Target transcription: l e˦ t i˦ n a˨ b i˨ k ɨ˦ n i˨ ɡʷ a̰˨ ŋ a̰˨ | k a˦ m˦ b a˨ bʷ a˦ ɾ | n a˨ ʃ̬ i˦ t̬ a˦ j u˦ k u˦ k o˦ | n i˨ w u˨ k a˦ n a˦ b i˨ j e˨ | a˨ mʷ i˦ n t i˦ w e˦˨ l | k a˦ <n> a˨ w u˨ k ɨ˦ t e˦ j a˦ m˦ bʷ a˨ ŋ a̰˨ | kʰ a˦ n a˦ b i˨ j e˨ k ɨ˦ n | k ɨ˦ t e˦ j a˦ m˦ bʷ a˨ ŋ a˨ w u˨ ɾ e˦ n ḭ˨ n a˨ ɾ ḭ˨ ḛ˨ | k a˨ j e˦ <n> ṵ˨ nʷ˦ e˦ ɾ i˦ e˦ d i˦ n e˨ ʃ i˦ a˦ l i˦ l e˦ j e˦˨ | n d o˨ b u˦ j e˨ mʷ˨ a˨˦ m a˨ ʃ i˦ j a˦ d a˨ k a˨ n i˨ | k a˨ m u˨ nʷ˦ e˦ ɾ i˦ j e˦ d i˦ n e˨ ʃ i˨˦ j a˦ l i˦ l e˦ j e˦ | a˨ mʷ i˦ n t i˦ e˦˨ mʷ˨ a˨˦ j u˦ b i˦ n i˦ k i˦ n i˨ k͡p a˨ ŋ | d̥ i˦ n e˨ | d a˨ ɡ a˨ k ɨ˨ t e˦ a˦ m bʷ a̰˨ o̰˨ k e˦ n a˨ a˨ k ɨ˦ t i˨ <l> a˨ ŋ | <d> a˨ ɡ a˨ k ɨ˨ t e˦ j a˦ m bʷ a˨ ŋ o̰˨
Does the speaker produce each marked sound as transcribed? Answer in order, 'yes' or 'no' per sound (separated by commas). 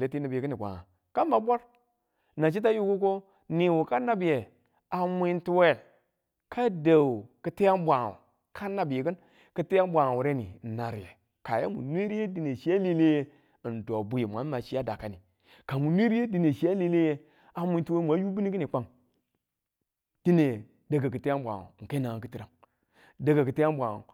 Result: no, no, no, yes